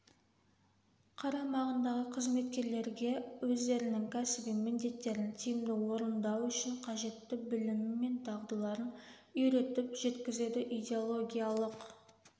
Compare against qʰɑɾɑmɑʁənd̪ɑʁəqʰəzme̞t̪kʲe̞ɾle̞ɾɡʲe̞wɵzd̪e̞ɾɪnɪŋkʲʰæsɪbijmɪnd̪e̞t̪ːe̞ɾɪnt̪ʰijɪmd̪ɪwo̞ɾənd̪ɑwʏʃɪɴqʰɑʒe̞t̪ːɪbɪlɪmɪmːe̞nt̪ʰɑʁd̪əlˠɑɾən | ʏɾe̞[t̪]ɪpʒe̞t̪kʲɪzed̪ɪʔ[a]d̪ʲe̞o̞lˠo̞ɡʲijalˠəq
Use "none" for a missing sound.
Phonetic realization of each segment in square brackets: t̪, i

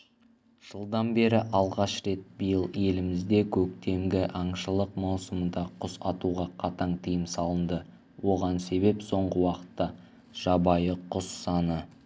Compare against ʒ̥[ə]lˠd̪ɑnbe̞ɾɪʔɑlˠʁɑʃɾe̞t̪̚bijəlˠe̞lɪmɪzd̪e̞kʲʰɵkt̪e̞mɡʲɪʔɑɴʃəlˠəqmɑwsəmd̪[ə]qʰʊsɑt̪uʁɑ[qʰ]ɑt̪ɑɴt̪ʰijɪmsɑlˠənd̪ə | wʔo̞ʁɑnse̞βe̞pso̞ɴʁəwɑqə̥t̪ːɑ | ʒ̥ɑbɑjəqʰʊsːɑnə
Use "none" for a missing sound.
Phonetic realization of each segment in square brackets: ə, ɑ, qʰ

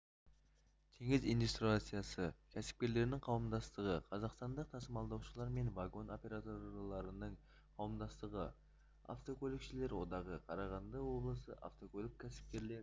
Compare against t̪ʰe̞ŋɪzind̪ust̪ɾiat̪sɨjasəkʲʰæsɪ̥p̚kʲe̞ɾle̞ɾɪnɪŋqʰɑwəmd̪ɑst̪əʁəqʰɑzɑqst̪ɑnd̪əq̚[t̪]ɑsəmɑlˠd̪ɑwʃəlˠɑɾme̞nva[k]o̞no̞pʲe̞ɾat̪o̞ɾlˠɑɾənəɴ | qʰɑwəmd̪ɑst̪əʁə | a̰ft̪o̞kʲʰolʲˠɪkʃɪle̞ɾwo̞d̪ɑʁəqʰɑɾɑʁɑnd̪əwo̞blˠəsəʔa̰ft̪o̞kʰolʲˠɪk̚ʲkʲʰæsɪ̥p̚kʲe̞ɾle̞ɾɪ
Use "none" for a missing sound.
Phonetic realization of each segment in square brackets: t̪ʰ, ɡ

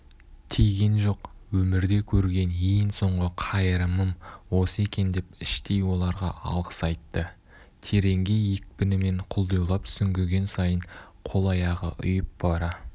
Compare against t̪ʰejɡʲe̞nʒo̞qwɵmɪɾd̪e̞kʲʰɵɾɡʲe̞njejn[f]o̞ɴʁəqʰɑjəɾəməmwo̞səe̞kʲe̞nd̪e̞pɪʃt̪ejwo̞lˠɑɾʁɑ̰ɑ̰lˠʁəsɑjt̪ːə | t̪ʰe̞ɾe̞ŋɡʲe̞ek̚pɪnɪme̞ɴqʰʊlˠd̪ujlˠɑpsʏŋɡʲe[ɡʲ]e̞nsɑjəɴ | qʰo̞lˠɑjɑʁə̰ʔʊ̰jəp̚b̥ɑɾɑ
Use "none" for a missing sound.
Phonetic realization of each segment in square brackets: s, ɡʲ

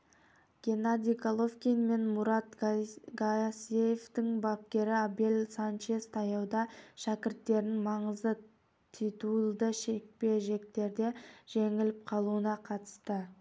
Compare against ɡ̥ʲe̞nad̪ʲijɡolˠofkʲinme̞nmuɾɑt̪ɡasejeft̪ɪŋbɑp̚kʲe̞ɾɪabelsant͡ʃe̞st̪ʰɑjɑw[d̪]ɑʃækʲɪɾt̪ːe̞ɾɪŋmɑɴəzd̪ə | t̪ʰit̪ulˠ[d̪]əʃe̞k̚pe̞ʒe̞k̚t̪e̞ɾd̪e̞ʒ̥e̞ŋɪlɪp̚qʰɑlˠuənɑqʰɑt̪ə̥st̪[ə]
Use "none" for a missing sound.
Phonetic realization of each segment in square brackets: d̪, d̪, ə

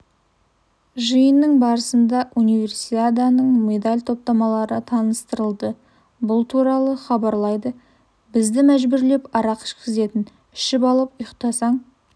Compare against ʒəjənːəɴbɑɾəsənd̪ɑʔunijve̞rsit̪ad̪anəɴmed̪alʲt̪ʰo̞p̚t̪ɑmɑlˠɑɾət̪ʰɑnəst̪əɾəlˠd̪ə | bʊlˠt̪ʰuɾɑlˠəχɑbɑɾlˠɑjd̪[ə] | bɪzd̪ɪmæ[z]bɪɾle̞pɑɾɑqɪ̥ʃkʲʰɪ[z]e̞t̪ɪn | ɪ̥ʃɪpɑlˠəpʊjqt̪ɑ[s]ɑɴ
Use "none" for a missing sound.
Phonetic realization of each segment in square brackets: ə, ʒ, z, s

